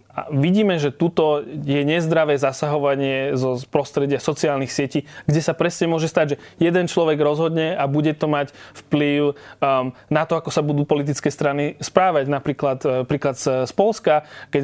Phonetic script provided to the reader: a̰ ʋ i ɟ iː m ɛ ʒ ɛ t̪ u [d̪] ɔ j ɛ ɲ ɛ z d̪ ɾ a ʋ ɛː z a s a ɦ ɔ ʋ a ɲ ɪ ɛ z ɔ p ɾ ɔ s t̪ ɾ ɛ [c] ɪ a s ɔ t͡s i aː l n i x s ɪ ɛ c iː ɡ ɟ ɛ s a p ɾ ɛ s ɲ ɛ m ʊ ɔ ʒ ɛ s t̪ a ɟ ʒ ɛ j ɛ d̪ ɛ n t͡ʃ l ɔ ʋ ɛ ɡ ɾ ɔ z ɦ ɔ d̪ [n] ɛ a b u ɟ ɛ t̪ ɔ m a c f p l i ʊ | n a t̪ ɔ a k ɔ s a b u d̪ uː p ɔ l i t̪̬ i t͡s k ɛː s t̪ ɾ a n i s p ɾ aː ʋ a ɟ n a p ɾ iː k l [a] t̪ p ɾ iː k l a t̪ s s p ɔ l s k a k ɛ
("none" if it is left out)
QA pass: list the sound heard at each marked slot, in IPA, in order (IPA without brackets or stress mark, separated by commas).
t̪, ɟ, ɲ, a